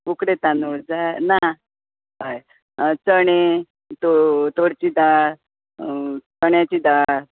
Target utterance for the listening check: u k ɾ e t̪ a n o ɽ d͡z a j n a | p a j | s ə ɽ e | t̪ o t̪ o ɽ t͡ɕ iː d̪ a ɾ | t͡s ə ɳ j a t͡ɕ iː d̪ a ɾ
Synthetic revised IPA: u k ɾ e t̪ a n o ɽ d͡z a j n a | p a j | t͡s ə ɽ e | t̪ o t̪ o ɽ t͡ɕ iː d̪ a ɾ | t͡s ə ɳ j a t͡ɕ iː d̪ a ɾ